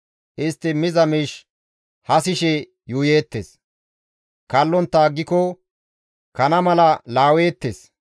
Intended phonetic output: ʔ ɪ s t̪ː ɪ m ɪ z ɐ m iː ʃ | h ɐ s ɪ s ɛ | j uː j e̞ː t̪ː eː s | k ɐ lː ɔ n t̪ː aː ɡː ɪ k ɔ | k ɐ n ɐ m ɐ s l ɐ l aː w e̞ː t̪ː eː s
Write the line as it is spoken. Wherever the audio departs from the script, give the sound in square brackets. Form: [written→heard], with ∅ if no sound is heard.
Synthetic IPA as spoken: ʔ ɪ s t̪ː ɪ m ɪ z ɐ m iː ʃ | h ɐ s ɪ [s→ʃ] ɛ | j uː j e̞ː t̪ː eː s | k ɐ lː ɔ n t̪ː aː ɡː ɪ k ɔ | k ɐ n ɐ m ɐ [s→∅] l ɐ l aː w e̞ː t̪ː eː s